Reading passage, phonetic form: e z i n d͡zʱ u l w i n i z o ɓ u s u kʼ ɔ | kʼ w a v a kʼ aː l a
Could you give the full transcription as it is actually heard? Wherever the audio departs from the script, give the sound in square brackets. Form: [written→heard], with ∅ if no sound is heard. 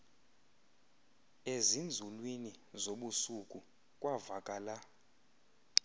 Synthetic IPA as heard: e z i n d͡zʱ u l w i n i z o ɓ u s u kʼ [ɔ→u] | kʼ w a v a kʼ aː l a